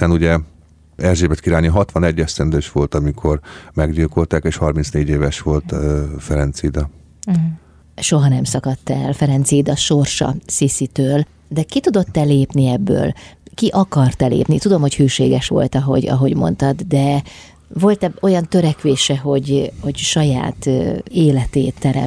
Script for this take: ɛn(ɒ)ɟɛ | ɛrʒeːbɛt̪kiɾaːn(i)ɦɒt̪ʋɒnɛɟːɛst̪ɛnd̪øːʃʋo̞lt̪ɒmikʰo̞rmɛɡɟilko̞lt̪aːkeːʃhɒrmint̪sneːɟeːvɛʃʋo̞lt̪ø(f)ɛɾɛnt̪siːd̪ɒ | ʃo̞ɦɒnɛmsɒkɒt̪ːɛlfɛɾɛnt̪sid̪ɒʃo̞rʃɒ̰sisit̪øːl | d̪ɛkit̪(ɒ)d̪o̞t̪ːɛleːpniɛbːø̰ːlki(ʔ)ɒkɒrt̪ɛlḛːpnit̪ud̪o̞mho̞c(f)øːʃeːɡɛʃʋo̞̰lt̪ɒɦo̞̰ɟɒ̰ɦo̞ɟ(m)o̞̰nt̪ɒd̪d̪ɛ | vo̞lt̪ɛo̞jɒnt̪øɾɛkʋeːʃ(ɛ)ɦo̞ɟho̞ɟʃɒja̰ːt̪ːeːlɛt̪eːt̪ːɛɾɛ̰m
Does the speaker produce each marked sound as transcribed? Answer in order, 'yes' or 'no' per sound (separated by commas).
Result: no, yes, yes, no, yes, no, yes, yes